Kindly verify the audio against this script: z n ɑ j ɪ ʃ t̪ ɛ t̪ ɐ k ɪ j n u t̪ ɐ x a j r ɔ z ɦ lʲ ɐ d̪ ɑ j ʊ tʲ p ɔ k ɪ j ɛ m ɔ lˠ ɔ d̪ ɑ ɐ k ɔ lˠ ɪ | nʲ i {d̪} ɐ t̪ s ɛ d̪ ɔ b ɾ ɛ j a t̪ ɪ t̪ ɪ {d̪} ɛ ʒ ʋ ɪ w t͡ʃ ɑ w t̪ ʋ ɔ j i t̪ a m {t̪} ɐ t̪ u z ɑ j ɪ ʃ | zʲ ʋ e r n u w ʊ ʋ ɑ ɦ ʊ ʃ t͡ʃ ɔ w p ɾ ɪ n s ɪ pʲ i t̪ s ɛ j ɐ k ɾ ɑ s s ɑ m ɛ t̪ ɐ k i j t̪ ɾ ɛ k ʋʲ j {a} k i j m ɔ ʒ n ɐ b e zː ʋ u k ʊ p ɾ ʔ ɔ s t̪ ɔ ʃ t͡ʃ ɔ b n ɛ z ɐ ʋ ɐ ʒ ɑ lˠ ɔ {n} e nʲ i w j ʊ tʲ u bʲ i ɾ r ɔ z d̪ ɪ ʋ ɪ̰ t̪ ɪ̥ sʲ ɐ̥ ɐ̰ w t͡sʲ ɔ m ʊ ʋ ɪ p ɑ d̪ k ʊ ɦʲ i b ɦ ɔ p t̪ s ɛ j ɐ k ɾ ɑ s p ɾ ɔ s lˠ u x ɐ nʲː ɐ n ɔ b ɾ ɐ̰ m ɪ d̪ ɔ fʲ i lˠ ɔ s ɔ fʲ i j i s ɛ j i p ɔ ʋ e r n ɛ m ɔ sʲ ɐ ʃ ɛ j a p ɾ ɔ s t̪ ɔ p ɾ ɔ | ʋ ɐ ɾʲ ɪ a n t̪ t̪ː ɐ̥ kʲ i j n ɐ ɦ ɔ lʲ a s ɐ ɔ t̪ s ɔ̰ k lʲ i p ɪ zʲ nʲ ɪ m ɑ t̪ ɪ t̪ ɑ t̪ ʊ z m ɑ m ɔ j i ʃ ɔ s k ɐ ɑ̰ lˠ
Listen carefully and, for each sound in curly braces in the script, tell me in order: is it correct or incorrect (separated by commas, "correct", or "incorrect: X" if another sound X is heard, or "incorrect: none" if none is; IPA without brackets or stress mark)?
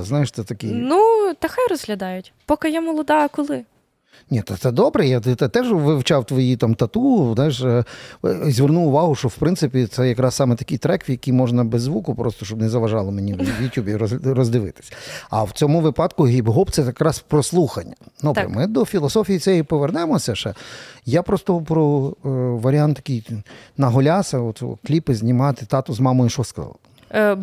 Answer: incorrect: t̪, incorrect: t̪, correct, incorrect: ɐ, incorrect: m